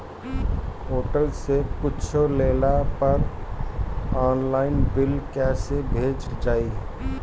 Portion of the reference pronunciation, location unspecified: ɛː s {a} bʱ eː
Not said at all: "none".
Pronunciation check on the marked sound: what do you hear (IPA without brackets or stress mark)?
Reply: e